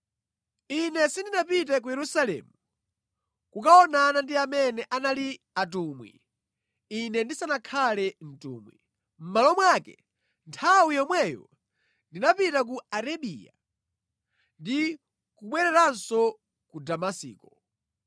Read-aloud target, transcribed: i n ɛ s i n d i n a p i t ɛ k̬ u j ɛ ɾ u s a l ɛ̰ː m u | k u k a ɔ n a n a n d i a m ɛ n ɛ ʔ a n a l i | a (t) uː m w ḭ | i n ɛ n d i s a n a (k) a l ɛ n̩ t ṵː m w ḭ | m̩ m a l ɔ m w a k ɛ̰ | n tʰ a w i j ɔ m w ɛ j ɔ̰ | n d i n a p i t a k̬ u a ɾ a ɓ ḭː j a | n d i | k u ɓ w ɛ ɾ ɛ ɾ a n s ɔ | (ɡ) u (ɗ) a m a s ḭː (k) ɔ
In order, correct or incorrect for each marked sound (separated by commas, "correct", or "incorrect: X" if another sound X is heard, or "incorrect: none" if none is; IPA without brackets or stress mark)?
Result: correct, incorrect: kʰ, incorrect: k, incorrect: d, correct